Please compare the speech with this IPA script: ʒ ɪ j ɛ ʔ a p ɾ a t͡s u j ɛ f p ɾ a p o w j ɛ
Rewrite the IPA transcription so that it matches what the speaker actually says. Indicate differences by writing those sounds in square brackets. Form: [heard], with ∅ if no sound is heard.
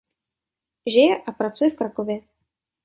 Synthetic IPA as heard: ʒ ɪ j ɛ ʔ a p ɾ a t͡s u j ɛ f [k] ɾ a [k] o [v] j ɛ